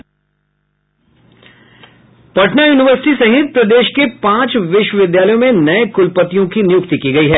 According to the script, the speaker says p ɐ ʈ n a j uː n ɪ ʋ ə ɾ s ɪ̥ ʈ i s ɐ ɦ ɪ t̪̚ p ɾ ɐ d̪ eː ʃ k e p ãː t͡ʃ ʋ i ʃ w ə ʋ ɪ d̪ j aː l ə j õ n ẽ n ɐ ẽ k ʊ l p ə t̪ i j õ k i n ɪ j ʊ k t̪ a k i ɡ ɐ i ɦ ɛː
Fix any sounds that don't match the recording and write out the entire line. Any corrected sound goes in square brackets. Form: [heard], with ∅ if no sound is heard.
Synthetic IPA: p ɐ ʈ n a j uː n ɪ ʋ ə ɾ s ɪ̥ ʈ i s ɐ ɦ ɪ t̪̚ p ɾ ɐ d̪ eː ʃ k e p ãː t͡ʃ ʋ [ɪ] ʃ w ə ʋ ɪ d̪ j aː l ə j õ [m] ẽ n ɐ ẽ k ʊ l p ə t̪ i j õ k i n ɪ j ʊ k t̪ [i] k i ɡ ɐ i ɦ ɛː

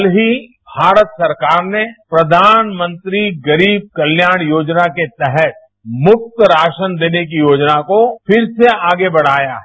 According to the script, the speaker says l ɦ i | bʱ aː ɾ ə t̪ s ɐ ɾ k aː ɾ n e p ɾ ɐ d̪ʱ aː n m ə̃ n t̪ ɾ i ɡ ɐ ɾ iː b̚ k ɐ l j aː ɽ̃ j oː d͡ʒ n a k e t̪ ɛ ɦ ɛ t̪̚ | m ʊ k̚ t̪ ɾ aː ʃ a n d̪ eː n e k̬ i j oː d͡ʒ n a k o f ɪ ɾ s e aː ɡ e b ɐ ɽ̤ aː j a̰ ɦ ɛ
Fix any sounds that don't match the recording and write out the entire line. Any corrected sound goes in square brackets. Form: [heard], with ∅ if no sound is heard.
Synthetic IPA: l ɦ i | bʱ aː ɾ ə t̪ s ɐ ɾ k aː ɾ n e p ɾ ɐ d̪ʱ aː n m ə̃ n t̪ ɾ i ɡ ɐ ɾ iː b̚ k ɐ l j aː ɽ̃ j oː d͡ʒ n a k e t̪ ɛ ɦ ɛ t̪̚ | m ʊ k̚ t̪ ɾ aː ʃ [ə] n d̪ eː n e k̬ i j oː d͡ʒ n a k o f ɪ ɾ s e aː ɡ e b ɐ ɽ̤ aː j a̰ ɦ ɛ

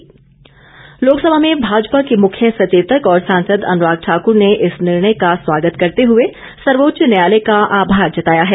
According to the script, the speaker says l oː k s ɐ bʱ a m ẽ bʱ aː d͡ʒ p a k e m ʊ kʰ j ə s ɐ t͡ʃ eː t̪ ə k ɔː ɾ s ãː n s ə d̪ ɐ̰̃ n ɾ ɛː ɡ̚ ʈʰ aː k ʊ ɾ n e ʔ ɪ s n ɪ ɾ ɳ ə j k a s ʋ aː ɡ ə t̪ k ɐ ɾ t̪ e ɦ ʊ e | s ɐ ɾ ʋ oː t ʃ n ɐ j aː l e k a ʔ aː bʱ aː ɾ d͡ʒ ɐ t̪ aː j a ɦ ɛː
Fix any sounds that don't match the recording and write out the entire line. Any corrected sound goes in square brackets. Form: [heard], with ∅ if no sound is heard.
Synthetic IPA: l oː k s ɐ bʱ a m ẽ bʱ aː d͡ʒ p a k e m ʊ kʰ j ə s ɐ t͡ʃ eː t̪ ə k ɔː ɾ s ãː n s ə d̪ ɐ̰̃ n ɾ [aː] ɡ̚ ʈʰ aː k ʊ ɾ n e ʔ ɪ s n ɪ ɾ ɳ ə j k a s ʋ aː ɡ ə t̪ k ɐ ɾ t̪ e ɦ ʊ e | s ɐ ɾ ʋ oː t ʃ n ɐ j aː l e k a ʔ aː bʱ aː ɾ d͡ʒ ɐ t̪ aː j a ɦ ɛː

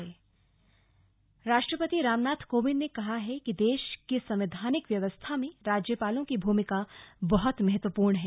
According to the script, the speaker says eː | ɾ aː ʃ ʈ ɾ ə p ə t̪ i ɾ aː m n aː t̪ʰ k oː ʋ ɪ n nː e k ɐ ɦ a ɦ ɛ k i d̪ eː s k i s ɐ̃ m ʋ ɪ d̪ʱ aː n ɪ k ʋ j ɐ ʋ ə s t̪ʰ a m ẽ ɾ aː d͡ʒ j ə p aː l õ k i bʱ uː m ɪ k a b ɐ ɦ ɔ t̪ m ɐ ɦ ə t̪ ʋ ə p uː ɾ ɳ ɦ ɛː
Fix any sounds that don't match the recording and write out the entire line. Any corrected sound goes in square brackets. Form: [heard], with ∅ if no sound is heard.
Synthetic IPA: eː | ɾ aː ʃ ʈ ɾ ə p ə t̪ i ɾ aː m n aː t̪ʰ k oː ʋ ɪ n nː e k ɐ ɦ a ɦ ɛ k i d̪ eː [ʃ] k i s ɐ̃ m ʋ ɪ d̪ʱ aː n ɪ k ʋ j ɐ ʋ ə s t̪ʰ a m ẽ ɾ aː d͡ʒ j ə p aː l õ k i bʱ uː m ɪ k a b ɐ ɦ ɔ t̪ m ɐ ɦ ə t̪ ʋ ə p uː ɾ ɳ ɦ ɛː

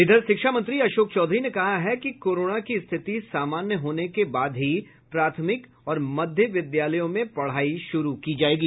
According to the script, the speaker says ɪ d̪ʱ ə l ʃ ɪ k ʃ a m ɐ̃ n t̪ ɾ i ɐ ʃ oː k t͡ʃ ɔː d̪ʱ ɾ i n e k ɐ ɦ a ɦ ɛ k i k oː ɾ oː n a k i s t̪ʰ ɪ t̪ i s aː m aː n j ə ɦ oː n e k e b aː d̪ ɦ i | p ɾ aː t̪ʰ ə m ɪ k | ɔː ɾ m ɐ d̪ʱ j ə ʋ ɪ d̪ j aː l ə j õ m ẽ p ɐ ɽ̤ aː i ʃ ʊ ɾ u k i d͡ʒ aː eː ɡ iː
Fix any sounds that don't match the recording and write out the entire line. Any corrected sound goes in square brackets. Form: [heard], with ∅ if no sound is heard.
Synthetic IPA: ɪ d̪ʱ ə [ɾ] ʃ ɪ k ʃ a m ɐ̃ n t̪ ɾ i ɐ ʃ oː k t͡ʃ ɔː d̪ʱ ɾ i n e k ɐ ɦ a ɦ ɛ k i k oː ɾ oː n a k i s t̪ʰ ɪ t̪ i s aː m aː n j ə ɦ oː n e k e b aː d̪ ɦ i | p ɾ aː t̪ʰ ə m ɪ k | ɔː ɾ m ɐ d̪ʱ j ə ʋ ɪ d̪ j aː l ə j õ m ẽ p ɐ ɽ̤ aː i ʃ ʊ ɾ u k i d͡ʒ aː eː ɡ iː

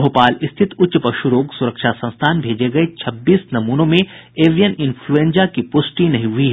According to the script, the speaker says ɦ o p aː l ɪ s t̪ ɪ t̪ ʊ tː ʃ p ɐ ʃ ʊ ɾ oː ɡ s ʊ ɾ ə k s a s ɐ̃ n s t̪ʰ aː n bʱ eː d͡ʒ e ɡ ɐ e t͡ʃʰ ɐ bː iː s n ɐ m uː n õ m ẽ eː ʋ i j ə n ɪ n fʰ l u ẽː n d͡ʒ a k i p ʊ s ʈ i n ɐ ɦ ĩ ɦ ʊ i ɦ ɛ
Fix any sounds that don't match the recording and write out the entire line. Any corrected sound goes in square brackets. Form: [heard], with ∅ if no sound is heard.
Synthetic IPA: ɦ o p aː l ɪ s [t̪ʰ] ɪ t̪ ʊ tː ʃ p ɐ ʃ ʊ ɾ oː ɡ s ʊ ɾ ə k [ʃ] a s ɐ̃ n s t̪ʰ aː n bʱ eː d͡ʒ e ɡ ɐ e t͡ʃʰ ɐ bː iː s n ɐ m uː n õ m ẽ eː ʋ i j ə n ɪ n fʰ l u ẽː n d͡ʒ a k i p ʊ s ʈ i n ɐ ɦ ĩ ɦ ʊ i ɦ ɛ

